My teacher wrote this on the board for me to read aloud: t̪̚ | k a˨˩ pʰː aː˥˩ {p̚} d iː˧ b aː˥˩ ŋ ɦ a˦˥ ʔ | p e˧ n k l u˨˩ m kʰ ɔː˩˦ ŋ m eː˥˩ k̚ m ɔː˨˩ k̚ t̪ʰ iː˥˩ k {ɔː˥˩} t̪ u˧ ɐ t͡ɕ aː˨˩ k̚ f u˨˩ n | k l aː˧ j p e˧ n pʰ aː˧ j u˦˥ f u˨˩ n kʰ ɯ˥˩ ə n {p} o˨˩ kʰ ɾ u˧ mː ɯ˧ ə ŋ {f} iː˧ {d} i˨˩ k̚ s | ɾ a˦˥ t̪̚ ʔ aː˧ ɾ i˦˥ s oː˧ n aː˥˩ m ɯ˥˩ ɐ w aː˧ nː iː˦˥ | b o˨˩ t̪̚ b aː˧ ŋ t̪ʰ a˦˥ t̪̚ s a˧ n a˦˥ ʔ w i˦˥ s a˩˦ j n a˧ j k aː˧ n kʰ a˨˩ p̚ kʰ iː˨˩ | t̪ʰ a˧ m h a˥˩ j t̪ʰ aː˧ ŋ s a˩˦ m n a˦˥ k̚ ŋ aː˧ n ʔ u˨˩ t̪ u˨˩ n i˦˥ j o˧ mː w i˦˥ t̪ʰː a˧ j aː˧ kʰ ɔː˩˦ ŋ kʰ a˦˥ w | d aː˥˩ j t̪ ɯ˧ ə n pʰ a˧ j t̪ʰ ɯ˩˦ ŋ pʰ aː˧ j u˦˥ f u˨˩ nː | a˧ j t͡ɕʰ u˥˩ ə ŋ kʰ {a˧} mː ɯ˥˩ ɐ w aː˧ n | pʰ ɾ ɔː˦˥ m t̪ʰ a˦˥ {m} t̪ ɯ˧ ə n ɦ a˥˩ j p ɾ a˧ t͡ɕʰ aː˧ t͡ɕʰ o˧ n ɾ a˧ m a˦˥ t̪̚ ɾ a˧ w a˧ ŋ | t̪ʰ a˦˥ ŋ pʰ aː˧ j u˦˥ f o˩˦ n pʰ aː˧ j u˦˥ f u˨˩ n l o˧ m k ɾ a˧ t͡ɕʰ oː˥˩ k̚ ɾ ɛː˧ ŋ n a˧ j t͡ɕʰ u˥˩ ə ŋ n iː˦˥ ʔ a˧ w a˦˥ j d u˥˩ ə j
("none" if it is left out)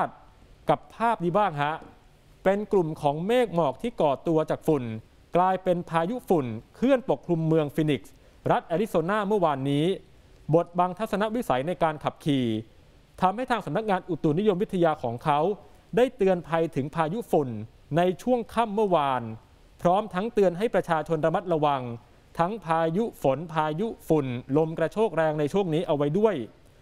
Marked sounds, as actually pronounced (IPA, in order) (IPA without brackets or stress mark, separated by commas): p̚, ɔː˨˩, p, f, n, a˥˩, ŋ